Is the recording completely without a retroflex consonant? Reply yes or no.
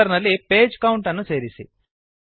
no